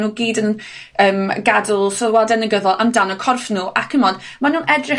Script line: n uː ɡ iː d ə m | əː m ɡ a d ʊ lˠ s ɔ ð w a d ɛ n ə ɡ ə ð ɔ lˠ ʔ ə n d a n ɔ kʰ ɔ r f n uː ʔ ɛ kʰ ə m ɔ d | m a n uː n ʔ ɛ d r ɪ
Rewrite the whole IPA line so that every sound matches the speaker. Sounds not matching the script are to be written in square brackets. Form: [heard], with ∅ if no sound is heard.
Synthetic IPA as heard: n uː ɡ iː d ə [n] | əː m ɡ a d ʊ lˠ s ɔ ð w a d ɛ n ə ɡ ə ð ɔ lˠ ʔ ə [m] d a n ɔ kʰ ɔ r f n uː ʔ [a] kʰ ə m ɔ d | m a n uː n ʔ ɛ d r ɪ